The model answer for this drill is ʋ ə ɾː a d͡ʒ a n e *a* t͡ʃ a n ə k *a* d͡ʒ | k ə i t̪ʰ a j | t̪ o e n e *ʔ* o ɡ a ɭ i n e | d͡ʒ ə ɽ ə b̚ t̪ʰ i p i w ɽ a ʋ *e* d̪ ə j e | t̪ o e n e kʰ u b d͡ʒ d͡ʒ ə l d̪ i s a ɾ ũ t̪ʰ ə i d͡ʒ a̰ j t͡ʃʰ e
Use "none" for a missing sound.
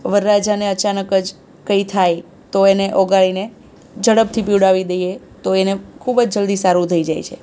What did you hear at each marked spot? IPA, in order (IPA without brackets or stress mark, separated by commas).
ə, ə, ʔ, i